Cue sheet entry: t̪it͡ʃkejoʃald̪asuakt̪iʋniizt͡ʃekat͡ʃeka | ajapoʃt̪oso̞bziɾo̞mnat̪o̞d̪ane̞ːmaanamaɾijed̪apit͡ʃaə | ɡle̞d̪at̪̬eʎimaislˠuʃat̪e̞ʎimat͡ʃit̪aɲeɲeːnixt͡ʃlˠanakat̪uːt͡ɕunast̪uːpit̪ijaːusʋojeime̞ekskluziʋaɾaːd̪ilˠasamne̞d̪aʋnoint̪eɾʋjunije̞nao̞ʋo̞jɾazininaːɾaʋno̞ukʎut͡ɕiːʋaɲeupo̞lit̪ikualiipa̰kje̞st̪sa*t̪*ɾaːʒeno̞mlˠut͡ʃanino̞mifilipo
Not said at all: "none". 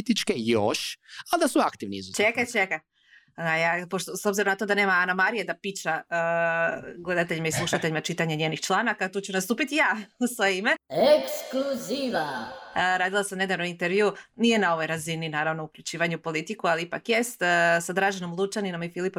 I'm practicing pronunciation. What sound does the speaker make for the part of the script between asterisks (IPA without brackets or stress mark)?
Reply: d̪